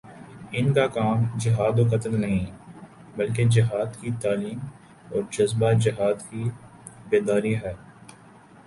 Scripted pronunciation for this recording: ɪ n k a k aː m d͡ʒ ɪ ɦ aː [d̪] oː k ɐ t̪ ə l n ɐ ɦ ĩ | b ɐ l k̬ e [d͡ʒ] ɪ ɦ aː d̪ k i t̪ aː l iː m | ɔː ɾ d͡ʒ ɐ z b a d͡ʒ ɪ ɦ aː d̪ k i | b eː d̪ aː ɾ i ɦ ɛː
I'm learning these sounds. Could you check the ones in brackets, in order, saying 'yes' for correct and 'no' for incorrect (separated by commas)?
yes, yes